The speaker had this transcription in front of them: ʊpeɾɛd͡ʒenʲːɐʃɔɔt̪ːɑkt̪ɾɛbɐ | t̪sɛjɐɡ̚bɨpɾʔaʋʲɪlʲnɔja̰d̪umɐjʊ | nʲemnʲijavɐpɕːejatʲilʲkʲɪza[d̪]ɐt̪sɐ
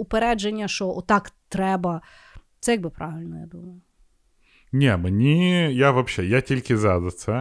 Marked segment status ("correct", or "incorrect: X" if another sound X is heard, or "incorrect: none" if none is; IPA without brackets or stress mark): correct